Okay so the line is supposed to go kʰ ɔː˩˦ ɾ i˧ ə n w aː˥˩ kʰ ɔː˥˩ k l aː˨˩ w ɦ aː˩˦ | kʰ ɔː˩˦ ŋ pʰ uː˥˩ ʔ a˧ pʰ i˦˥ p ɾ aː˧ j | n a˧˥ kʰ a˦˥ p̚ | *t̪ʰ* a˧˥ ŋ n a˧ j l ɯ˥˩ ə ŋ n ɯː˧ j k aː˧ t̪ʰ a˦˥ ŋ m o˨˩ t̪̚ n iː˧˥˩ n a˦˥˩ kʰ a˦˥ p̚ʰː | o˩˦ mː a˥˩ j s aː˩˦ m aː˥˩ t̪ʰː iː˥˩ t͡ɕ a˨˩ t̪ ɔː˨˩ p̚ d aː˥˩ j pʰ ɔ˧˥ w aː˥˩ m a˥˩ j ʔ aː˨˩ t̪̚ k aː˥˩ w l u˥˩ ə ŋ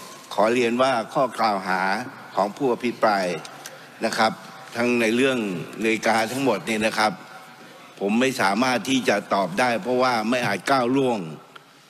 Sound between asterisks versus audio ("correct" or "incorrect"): correct